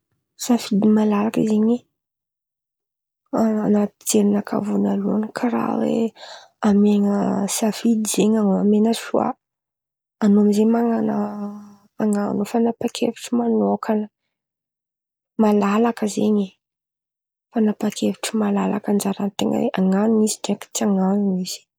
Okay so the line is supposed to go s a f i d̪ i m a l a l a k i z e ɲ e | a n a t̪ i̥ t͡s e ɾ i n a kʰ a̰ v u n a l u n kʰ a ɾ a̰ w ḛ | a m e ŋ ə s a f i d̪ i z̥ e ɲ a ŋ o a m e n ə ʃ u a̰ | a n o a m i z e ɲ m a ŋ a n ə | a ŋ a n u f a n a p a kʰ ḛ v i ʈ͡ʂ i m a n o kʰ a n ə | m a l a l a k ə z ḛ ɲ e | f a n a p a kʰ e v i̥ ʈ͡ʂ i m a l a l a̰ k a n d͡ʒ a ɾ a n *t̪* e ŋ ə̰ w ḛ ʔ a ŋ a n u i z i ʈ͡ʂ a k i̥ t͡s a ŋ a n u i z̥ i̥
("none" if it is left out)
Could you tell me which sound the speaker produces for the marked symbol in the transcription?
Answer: t̪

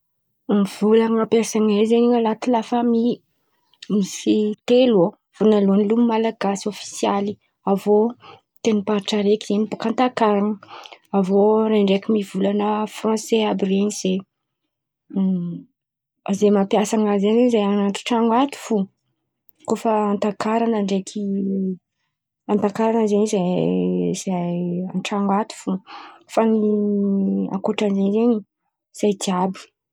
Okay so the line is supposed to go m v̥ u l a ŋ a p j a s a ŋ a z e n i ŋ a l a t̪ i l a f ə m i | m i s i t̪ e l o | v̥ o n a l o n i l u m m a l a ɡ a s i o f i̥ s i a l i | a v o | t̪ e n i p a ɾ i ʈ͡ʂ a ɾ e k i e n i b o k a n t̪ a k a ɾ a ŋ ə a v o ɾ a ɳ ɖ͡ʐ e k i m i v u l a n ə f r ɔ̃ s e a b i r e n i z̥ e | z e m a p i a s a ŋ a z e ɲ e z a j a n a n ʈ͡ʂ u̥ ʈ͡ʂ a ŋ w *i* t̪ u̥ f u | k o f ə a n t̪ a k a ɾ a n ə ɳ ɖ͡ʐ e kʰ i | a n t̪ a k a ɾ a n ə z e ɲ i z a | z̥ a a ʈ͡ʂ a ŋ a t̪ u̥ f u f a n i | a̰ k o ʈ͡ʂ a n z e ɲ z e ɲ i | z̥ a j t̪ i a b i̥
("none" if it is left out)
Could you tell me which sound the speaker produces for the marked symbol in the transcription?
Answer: a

